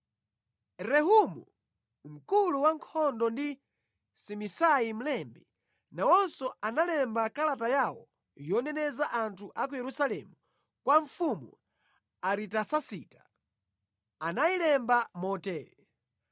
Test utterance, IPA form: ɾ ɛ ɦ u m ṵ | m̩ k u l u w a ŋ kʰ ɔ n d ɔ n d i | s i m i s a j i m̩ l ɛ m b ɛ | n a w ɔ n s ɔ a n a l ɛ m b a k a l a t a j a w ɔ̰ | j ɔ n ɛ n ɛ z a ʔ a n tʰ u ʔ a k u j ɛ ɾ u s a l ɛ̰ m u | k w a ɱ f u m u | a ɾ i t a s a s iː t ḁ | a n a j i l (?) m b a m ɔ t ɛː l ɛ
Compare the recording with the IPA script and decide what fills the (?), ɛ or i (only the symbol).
ɛ